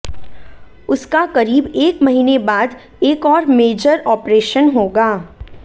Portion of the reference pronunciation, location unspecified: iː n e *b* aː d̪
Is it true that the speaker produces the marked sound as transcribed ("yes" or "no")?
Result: yes